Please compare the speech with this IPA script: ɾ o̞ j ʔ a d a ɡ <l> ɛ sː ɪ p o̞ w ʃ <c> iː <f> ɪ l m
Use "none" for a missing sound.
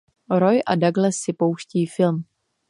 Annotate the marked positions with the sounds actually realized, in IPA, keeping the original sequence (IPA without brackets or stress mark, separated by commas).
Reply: l, c, f